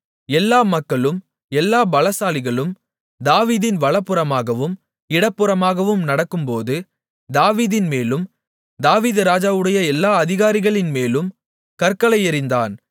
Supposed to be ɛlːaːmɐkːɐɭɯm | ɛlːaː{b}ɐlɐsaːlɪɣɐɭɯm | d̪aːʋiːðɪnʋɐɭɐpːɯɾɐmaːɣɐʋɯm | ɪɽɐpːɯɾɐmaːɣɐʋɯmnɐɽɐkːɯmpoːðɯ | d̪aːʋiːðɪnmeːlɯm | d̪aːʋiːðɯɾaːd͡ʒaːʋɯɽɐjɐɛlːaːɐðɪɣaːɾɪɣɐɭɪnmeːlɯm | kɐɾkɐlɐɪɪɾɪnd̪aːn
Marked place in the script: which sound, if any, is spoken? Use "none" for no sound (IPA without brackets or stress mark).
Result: b